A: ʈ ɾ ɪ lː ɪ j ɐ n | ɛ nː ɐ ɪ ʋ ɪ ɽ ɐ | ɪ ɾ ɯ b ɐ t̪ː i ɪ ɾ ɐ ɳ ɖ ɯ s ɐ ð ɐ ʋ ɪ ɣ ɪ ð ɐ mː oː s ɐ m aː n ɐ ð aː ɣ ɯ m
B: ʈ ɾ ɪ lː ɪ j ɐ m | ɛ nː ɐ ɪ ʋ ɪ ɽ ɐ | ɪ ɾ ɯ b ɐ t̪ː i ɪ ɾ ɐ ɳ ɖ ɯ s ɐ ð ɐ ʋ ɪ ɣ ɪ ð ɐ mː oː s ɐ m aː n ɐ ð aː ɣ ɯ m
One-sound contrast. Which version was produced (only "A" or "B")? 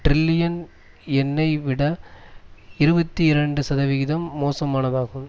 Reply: A